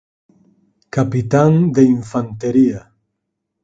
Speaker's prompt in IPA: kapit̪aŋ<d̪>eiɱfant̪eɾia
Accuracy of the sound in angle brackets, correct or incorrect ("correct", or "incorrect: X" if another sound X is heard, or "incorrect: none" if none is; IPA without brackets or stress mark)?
correct